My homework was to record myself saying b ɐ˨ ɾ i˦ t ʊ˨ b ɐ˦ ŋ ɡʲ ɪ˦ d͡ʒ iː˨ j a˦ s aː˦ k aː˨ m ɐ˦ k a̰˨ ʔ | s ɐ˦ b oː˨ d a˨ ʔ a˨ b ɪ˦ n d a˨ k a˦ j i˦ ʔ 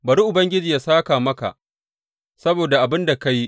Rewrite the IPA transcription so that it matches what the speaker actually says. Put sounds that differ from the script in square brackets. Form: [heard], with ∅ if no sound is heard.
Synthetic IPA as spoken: b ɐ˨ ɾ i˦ [ʔ] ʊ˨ b ɐ˦ ŋ ɡʲ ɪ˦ d͡ʒ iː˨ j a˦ s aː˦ k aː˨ m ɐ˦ k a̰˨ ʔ | s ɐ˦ b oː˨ d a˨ ʔ a˨ b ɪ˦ n d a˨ k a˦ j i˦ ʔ